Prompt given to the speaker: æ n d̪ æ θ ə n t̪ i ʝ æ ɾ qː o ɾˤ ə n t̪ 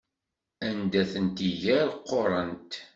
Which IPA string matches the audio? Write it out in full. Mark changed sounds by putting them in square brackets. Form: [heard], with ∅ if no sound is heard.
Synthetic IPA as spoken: æ n d̪ æ θ ə n t̪ i ʝ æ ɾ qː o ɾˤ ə n t̪